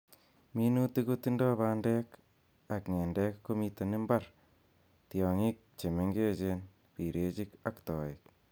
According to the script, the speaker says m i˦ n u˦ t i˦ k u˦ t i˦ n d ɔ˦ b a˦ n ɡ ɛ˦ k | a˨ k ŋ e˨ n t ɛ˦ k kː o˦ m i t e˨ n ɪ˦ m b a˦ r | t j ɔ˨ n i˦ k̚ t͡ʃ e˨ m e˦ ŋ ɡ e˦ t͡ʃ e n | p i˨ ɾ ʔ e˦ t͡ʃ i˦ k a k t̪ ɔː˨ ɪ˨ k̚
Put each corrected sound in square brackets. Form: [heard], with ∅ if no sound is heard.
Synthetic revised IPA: m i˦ n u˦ t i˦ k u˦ t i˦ n d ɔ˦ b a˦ n [d] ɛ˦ k | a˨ k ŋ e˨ n [d] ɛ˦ k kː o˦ m i t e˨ n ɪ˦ m b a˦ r | t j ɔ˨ [ŋ] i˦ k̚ t͡ʃ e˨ m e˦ ŋ ɡ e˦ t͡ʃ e n | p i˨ ɾ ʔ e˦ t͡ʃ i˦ k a k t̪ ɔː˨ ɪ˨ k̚